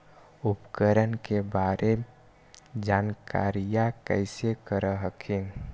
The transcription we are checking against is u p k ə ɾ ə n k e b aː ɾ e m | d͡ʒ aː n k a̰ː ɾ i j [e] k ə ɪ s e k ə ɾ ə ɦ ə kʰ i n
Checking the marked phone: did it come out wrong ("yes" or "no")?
yes